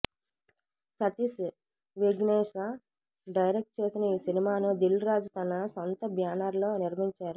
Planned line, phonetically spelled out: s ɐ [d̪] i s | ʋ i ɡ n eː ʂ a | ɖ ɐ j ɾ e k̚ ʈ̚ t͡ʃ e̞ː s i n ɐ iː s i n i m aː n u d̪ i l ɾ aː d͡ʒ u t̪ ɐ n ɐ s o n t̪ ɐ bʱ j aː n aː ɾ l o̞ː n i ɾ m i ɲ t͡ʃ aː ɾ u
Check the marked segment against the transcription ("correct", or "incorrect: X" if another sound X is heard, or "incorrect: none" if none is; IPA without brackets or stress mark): incorrect: t̪